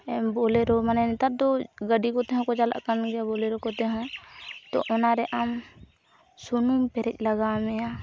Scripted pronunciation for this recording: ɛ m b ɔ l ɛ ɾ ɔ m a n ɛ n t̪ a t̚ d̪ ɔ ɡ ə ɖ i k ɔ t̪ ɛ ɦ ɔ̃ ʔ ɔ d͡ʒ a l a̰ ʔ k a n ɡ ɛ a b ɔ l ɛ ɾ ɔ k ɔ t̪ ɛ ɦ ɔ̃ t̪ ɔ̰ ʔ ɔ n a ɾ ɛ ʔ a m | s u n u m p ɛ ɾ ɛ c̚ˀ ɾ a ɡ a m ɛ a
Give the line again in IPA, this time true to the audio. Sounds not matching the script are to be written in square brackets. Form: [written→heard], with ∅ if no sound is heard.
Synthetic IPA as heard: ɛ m b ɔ l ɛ ɾ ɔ m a n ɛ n t̪ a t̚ d̪ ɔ ɡ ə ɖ i k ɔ t̪ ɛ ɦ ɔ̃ [ʔ→k] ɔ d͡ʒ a l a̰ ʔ k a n ɡ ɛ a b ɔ l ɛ ɾ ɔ k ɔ t̪ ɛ ɦ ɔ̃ t̪ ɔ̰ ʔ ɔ n a ɾ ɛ ʔ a m | s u n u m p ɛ ɾ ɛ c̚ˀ [ɾ→l] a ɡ a m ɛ a

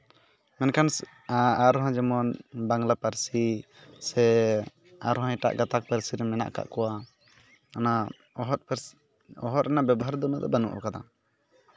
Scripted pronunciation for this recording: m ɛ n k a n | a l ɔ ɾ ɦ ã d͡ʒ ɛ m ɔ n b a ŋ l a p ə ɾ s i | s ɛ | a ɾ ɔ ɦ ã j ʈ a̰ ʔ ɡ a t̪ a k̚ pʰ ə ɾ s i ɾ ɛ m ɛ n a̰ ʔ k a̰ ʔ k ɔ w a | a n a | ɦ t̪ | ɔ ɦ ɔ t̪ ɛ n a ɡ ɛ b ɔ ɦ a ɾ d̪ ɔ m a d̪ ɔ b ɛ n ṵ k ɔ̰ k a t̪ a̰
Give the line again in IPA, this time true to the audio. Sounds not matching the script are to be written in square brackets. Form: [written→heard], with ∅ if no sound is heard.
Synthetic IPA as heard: m ɛ n k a n | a [l→ɾ] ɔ [ɾ→∅] ɦ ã d͡ʒ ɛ m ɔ n b a ŋ l a p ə ɾ s i | s ɛ | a ɾ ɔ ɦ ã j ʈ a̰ ʔ ɡ a t̪ a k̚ [pʰ→p] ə ɾ s i ɾ ɛ m ɛ n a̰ ʔ k a̰ ʔ k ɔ w a | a n a | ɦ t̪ | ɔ ɦ ɔ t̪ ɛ n a [ɡ→b] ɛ b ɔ ɦ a ɾ d̪ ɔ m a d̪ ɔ b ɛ n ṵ [k→ʔ] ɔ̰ k a [t̪→d̪] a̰

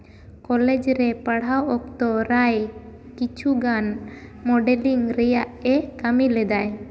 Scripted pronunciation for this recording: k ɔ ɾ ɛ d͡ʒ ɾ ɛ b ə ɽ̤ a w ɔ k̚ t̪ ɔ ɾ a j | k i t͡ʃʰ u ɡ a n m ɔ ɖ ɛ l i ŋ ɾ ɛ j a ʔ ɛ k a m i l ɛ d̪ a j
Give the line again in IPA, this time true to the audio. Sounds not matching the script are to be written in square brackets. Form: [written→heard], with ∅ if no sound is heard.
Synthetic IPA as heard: k ɔ [ɾ→l] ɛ d͡ʒ ɾ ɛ [b→p] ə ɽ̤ a w ɔ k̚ t̪ ɔ ɾ a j | k i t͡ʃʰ u ɡ a n m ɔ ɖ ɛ l i ŋ ɾ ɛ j a ʔ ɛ k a m i l ɛ d̪ a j

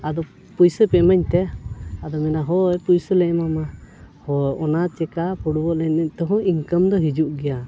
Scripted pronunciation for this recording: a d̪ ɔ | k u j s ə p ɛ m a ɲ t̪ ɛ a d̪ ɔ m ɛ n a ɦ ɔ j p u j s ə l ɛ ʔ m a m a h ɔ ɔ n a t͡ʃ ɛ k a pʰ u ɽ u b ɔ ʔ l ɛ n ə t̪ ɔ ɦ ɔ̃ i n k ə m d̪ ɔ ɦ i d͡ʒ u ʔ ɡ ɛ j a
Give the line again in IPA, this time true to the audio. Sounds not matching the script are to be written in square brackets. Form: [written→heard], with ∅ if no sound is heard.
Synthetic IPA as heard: a d̪ ɔ | [k→p] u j s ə p ɛ m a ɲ t̪ ɛ a d̪ ɔ m ɛ n a ɦ ɔ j p u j s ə l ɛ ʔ m a m a h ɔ ɔ n a t͡ʃ ɛ k a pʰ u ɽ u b ɔ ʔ l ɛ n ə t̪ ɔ ɦ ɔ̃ i [n→ŋ] k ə m d̪ ɔ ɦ i d͡ʒ u ʔ ɡ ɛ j a

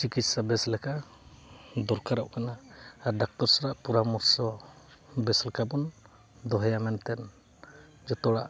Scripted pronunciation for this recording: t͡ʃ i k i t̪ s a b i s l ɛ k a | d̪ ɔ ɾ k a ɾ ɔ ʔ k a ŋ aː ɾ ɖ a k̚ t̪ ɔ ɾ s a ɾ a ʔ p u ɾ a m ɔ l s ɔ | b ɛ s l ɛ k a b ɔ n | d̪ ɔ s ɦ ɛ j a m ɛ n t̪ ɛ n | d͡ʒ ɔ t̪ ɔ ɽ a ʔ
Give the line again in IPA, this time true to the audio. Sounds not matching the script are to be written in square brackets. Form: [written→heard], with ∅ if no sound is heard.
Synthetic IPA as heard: t͡ʃ i k i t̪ s a b [i→ɛ] s l ɛ k a | d̪ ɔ ɾ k a ɾ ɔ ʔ k a [ŋ→n] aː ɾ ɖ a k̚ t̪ ɔ ɾ s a ɾ a ʔ p u ɾ a m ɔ [l→ɾ] s ɔ | b ɛ s l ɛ k a b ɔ n | d̪ ɔ [s→∅] ɦ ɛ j a m ɛ n t̪ ɛ n | d͡ʒ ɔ t̪ ɔ ɽ a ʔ

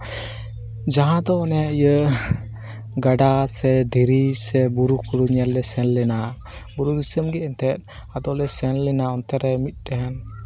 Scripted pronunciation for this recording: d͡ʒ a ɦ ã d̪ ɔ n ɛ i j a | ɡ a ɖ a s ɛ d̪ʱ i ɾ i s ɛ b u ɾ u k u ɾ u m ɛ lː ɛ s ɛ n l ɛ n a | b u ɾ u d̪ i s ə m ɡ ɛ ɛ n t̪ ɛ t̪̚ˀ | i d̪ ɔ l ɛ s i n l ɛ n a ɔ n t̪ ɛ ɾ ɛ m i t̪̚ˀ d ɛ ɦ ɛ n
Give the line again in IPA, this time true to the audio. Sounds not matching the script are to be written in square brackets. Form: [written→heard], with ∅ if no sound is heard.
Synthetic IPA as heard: d͡ʒ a ɦ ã d̪ ɔ n ɛ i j [a→ə] | ɡ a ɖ a s ɛ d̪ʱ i ɾ i s ɛ b u ɾ u k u ɾ u [m→ɲ] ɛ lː ɛ s ɛ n l ɛ n a | b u ɾ u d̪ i s ə m ɡ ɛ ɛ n t̪ ɛ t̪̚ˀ | [i→a] d̪ ɔ l ɛ s [i→ɛ] n l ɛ n a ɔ n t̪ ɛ ɾ ɛ m i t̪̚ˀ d ɛ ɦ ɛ n

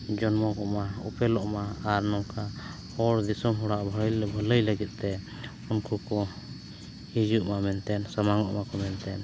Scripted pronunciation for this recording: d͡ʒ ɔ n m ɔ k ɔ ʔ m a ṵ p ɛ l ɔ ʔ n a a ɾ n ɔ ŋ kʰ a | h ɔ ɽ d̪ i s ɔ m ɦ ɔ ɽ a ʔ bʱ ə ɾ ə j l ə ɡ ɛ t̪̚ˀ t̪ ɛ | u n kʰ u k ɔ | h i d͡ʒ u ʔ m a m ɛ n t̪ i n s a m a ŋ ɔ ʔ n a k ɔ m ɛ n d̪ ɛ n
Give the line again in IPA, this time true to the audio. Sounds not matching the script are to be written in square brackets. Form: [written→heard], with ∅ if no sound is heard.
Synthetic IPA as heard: d͡ʒ ɔ n m ɔ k ɔ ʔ m a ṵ p ɛ l ɔ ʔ [n→m] a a ɾ n ɔ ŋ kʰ a | h ɔ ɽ d̪ i s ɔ m ɦ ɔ ɽ a ʔ bʱ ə [ɾ→l] ə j l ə ɡ ɛ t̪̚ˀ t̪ ɛ | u n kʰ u k ɔ | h i d͡ʒ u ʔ m a m ɛ n t̪ [i→ɛ] n s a m a ŋ ɔ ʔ [n→m] a k ɔ m ɛ n [d̪→t̪] ɛ n

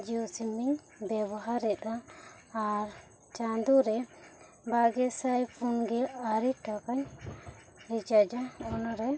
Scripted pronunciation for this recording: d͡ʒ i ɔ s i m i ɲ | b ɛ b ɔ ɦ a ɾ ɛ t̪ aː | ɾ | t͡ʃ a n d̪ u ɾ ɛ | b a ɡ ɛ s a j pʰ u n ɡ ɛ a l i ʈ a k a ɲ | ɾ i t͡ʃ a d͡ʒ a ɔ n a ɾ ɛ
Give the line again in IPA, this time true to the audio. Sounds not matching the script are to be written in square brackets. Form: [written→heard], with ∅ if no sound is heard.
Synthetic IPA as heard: d͡ʒ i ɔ s i m i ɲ | b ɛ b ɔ ɦ a ɾ ɛ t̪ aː | ɾ | t͡ʃ a n d̪ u ɾ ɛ | b a ɡ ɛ s a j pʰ u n ɡ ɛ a [l→ɾ] i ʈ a k a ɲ | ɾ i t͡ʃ a d͡ʒ a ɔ n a ɾ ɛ

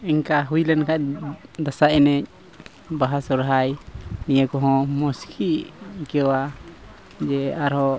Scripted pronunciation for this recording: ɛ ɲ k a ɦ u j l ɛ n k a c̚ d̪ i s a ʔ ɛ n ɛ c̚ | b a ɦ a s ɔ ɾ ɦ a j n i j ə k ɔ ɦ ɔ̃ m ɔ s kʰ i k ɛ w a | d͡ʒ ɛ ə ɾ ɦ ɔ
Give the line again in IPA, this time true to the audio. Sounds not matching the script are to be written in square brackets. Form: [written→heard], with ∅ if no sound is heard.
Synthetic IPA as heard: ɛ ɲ k a ɦ u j l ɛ n k a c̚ d̪ [i→a] s a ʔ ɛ n ɛ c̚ | b a ɦ a s ɔ ɾ ɦ a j n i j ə k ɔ ɦ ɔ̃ m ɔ s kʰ i k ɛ w a | d͡ʒ ɛ [ə→a] ɾ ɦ ɔ

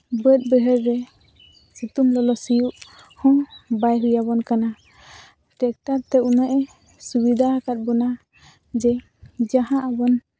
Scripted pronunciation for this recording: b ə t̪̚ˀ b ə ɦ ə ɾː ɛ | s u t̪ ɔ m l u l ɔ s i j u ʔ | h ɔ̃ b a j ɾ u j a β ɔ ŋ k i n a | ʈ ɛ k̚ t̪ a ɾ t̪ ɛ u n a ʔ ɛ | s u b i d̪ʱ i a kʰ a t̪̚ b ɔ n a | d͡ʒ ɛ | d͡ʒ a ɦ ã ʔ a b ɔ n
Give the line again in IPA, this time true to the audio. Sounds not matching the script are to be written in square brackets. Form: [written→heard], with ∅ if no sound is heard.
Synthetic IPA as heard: b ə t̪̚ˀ b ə ɦ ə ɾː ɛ | s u t̪ [ɔ→u] m l [u→ɔ] l ɔ s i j u ʔ | h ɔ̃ b a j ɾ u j a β ɔ [ŋ→n] k [i→a] n a | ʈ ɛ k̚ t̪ a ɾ t̪ ɛ u n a ʔ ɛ | s u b i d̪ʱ [i→a] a [kʰ→k] a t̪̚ b ɔ n a | d͡ʒ ɛ | d͡ʒ a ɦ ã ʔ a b ɔ n

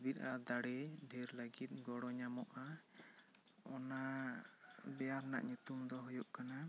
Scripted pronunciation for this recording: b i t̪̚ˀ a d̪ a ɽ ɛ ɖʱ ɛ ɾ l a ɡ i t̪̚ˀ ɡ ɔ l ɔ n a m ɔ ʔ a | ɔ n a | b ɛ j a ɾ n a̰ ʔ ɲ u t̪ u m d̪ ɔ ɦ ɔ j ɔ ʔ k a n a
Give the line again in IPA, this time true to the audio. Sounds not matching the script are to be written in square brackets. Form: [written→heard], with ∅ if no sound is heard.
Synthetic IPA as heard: b i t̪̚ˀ a d̪ a ɽ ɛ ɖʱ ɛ ɾ l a ɡ i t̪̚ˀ ɡ ɔ [l→ɽ] ɔ [n→ɲ] a m ɔ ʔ a | ɔ n a | b ɛ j a ɾ n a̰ ʔ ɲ u t̪ u m d̪ ɔ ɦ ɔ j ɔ ʔ k a n a

